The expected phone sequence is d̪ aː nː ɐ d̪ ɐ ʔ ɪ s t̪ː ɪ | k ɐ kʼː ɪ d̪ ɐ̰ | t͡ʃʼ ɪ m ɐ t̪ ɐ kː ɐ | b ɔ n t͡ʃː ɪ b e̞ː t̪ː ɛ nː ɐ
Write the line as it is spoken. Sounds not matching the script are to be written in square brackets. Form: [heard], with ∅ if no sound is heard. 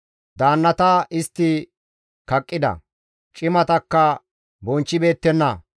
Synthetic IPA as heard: d̪ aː nː ɐ [t̪] ɐ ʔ ɪ s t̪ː ɪ | k ɐ kʼː ɪ d̪ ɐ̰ | t͡ʃʼ ɪ m ɐ t̪ ɐ kː ɐ | b ɔ n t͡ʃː ɪ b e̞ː t̪ː ɛ nː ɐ